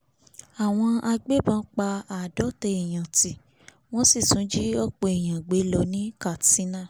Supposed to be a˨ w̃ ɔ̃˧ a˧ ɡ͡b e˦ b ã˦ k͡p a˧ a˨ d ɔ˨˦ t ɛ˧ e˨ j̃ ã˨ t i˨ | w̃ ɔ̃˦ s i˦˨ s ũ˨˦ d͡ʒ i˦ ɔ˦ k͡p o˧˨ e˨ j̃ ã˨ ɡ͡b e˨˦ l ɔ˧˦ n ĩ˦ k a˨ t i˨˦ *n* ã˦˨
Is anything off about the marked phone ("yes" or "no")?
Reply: no